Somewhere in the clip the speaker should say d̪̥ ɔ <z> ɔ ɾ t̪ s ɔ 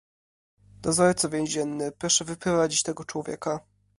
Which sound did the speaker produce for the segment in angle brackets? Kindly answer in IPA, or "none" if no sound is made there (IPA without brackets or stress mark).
z